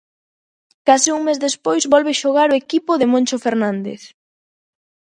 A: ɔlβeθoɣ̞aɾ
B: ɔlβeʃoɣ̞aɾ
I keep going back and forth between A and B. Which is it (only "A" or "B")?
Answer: B